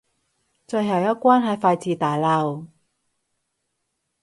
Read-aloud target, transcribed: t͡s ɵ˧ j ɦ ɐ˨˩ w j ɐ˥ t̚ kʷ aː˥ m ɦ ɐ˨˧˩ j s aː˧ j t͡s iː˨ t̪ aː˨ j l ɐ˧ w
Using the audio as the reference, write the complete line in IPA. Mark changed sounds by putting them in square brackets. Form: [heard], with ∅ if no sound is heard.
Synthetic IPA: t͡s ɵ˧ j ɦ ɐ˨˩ w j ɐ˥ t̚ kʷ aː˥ [n] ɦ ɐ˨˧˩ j [f] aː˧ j t͡s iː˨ t̪ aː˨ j l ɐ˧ w